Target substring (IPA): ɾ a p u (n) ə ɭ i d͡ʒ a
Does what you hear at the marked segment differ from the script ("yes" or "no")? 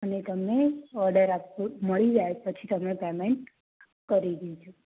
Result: yes